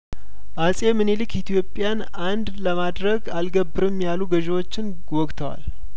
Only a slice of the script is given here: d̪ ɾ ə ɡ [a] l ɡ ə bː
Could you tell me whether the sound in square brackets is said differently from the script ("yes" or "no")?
no